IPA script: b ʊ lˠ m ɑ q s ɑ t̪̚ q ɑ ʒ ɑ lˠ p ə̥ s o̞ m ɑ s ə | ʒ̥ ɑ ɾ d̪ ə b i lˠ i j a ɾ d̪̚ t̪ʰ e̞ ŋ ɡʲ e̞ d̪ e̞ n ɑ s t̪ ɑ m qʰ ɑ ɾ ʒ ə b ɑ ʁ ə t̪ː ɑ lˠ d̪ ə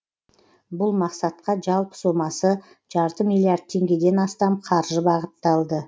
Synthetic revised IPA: b ʊ lˠ m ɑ q s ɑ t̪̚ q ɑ ʒ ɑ lˠ p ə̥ s o̞ m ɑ s ə | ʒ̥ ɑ ɾ t̪ ə m i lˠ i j a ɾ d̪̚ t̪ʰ e̞ ŋ ɡʲ e̞ d̪ e̞ n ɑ s t̪ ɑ m qʰ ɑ ɾ ʒ ə b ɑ ʁ ə t̪ː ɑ lˠ d̪ ə